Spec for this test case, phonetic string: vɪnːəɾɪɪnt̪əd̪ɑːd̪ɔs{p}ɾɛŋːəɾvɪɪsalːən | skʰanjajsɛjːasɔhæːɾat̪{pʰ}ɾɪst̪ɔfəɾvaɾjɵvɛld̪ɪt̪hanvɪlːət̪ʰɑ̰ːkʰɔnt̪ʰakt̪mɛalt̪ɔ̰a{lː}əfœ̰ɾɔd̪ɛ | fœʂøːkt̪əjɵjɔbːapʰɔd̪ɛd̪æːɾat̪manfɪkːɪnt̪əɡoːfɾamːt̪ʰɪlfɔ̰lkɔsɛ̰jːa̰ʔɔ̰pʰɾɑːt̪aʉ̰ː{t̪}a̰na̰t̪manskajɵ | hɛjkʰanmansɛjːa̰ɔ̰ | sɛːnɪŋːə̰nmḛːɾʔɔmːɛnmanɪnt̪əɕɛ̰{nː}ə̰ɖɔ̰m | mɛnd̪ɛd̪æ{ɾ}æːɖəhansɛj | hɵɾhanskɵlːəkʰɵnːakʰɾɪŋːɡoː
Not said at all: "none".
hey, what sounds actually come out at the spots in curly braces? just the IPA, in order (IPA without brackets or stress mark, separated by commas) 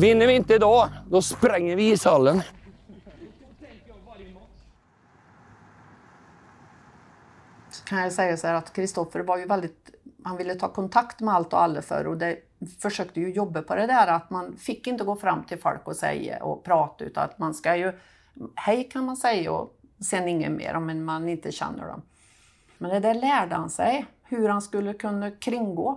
p, kʰ, lː, t̪, nː, ɭ